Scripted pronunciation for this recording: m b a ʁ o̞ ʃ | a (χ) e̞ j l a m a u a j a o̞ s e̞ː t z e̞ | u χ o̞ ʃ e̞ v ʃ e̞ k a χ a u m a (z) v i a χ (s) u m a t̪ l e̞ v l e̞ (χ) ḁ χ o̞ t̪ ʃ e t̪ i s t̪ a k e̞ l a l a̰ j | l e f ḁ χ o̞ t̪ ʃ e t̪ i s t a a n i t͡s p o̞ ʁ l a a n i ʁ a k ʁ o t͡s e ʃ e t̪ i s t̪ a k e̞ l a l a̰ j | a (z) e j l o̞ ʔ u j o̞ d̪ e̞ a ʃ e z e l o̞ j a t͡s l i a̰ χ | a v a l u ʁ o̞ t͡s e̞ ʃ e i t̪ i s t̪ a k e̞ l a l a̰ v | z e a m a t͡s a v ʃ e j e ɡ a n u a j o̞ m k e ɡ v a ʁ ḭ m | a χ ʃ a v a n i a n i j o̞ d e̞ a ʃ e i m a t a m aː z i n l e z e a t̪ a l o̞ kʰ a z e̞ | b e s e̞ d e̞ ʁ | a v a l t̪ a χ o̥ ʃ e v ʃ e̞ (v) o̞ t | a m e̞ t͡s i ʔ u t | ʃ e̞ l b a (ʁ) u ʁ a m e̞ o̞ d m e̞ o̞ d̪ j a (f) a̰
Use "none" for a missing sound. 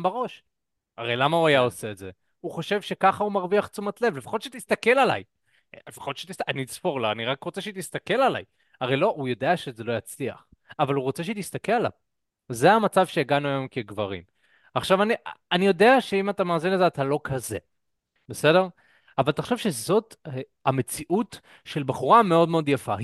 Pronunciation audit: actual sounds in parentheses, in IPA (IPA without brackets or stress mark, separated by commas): ʁ, ʁ, t͡s, f, ʁ, z, χ, f